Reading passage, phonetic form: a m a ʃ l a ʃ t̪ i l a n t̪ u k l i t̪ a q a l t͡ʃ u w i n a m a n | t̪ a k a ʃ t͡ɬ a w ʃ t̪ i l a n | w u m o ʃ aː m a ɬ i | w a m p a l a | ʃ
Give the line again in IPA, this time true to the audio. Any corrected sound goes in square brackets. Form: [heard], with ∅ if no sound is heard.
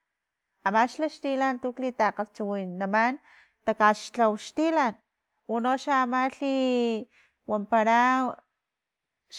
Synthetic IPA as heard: a m a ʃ l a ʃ t̪ i l a n t̪ u k l i t̪ a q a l t͡ʃ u w i n a m a n | t̪ a k a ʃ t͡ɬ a w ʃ t̪ i l a n | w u [n] o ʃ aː m a ɬ i | w a m p a [ɾ] a | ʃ

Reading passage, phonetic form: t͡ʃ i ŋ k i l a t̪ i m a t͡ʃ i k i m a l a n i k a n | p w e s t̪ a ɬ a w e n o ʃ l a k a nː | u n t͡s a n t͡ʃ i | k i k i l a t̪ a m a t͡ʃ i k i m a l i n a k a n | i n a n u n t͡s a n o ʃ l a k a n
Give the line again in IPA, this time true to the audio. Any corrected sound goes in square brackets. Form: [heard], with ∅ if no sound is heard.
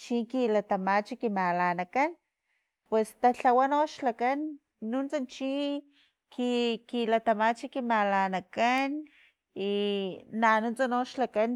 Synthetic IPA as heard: t͡ʃ i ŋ k i l a t̪ [a] m a t͡ʃ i k i m a l a n [a] k a n | p w e s t̪ a ɬ a w [a] n o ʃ l a k a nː | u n t͡s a n t͡ʃ i | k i k i l a t̪ a m a t͡ʃ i k i m a l [a] n a k a n | i n a n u n t͡s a n o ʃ l a k a n

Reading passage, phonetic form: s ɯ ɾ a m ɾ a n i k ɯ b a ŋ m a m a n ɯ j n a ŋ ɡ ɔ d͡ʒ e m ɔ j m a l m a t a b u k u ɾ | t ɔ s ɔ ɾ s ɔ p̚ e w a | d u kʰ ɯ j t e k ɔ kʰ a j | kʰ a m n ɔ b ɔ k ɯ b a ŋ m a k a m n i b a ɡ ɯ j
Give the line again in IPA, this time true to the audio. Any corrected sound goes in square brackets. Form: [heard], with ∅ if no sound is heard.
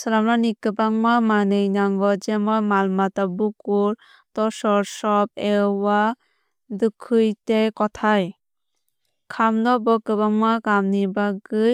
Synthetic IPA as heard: s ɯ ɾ a m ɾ a n i k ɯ b a ŋ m a m a n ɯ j n a ŋ ɡ ɔ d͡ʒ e m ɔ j m a l m a t a b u k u ɾ | t ɔ s ɔ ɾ s ɔ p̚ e w a | d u kʰ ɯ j t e k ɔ [tʰ] a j | kʰ a m n ɔ b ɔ k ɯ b a ŋ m a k a m n i b a ɡ ɯ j

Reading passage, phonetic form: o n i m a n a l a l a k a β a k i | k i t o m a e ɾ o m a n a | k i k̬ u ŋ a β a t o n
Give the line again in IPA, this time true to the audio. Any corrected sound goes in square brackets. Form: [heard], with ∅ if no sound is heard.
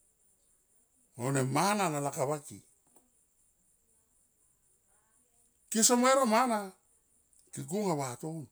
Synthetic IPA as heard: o n [e] m a n a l a l a k a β a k i | k i [s] o m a e ɾ o m a n a | k i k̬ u ŋ a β a t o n

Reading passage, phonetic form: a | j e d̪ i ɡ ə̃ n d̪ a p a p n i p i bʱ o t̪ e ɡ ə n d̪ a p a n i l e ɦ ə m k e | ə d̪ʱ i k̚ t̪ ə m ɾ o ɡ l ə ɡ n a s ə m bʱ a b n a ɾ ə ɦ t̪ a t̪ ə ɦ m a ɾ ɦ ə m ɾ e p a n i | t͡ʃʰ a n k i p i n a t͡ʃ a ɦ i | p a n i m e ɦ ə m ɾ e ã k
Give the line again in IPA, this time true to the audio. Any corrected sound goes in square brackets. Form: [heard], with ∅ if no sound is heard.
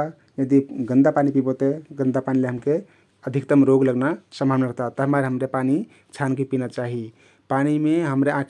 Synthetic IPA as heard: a | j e d̪ i ɡ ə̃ n d̪ a p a [∅] n i p i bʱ o t̪ e ɡ ə n d̪ a p a n i l e ɦ ə m k e | ə d̪ʱ i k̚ t̪ ə m ɾ o ɡ l ə ɡ n a s ə m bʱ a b n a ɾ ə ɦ t̪ a t̪ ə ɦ m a ɾ ɦ ə m ɾ e p a n i | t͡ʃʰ a n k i p i n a t͡ʃ a ɦ i | p a n i m e ɦ ə m ɾ e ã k

